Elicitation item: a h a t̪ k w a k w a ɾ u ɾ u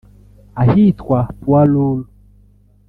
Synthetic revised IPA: a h i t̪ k w a p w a l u l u